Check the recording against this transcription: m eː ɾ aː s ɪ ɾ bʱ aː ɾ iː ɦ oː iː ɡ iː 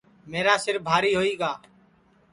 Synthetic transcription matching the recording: m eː ɾ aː s ɪ ɾ bʱ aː ɾ iː ɦ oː iː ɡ aː